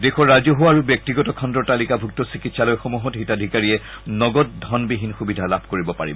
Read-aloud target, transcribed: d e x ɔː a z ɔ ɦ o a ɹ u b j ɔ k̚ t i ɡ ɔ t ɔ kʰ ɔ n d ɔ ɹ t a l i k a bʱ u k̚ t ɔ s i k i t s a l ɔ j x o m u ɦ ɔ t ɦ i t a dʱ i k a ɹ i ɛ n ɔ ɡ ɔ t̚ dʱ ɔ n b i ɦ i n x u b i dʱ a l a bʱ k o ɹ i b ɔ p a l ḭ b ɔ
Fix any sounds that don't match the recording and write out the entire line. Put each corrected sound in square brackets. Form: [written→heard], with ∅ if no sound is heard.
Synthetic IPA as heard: d e x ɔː a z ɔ ɦ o a ɹ u b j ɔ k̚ t i ɡ ɔ t ɔ kʰ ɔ n d ɔ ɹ t a l i k a bʱ u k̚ t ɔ s i k i t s a l ɔ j x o m u ɦ ɔ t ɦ i t a dʱ i k a ɹ i ɛ n ɔ ɡ ɔ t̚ dʱ ɔ n b i ɦ i n x u b i dʱ a l a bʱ k o ɹ i b ɔ p a [l→ɹ] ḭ b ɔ